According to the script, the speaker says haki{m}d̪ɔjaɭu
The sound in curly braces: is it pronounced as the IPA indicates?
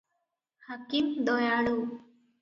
yes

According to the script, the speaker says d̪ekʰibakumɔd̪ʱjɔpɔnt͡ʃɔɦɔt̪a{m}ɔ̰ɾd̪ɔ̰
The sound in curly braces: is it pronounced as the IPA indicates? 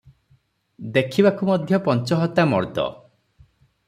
yes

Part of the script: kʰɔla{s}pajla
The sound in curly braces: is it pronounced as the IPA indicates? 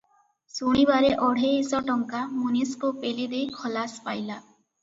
yes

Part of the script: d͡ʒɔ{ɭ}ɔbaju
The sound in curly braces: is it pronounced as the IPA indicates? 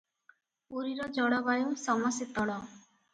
no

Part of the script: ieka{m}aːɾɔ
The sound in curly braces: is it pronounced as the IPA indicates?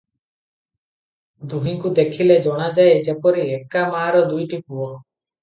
yes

